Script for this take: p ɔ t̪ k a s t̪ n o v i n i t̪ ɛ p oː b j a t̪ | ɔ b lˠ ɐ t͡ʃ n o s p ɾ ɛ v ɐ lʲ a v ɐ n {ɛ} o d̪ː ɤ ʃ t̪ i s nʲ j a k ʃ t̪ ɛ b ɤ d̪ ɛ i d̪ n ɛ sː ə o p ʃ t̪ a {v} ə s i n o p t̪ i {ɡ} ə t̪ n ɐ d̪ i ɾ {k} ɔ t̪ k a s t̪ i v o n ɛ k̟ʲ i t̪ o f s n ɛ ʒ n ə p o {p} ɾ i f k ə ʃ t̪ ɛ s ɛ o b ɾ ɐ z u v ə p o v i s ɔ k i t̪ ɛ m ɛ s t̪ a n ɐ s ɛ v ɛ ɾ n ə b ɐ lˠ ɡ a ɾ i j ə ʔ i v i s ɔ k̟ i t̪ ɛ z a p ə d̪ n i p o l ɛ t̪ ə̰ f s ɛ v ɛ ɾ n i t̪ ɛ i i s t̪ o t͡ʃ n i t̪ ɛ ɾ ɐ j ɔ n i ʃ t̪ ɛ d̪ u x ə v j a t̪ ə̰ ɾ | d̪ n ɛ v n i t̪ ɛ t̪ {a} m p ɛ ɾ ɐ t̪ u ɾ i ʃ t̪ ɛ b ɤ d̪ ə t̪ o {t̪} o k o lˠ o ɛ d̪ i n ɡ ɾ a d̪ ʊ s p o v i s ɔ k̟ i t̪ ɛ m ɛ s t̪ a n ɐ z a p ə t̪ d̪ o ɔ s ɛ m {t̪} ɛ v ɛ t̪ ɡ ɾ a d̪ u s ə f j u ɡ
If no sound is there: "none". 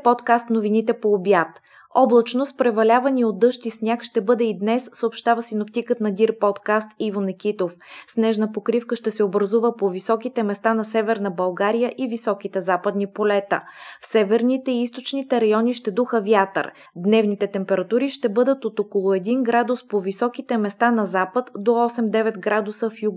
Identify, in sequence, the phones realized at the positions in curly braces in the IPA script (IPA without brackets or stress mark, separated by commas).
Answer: i, v, k, p, k, ɛ, t̪, d̪